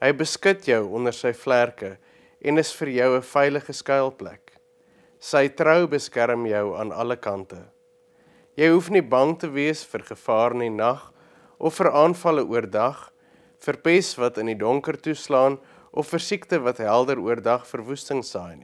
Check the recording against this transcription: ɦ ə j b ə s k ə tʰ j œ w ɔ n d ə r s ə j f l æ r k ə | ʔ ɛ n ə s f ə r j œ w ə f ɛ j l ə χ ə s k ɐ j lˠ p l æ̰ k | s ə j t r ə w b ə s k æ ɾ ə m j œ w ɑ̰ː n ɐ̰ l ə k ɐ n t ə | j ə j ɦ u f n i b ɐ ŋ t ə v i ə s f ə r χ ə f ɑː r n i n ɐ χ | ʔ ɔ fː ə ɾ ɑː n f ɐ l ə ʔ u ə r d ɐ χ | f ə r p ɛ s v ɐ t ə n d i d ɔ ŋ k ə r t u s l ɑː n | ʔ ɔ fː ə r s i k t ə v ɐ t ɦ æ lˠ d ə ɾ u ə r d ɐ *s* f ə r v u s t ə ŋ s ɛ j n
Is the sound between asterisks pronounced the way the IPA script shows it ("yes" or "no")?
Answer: no